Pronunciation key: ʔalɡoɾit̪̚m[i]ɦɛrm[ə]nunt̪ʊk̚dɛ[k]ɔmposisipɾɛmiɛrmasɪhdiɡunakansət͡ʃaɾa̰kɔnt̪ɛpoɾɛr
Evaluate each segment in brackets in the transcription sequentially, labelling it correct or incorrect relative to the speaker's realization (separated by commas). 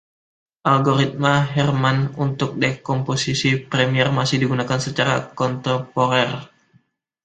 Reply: incorrect, incorrect, correct